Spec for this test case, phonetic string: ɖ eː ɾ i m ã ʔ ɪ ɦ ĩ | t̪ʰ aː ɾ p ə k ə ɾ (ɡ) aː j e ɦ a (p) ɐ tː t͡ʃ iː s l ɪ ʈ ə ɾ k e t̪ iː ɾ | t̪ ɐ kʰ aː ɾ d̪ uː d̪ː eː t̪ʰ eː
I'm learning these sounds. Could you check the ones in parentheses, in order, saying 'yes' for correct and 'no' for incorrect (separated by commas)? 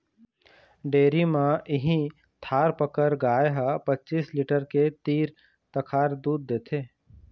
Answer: yes, yes